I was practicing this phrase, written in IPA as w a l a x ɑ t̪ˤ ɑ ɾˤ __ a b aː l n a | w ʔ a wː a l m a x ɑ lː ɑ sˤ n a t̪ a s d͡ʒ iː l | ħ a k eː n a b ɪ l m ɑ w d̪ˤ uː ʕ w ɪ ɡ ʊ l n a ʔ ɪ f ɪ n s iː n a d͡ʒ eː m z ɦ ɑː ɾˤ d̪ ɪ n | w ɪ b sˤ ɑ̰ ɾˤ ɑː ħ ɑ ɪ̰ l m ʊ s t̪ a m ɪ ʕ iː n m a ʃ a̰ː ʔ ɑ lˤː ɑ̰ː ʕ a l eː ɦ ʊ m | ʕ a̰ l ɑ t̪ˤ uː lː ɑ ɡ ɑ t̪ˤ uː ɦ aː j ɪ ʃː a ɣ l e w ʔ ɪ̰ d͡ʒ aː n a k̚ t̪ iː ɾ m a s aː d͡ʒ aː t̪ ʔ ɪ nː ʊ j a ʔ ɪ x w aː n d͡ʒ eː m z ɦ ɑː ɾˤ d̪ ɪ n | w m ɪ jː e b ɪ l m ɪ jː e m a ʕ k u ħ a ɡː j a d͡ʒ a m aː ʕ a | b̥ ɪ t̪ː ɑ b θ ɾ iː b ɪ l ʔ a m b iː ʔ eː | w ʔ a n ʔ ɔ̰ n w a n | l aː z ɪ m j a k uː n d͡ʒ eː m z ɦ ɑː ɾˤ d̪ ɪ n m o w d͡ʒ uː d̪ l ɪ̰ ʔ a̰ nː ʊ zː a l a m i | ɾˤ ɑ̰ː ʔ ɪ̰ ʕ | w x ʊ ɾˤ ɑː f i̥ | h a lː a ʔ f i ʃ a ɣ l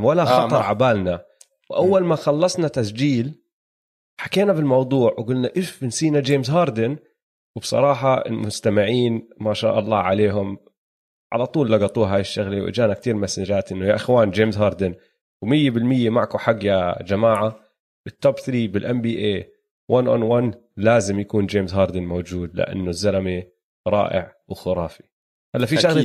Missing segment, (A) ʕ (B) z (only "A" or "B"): A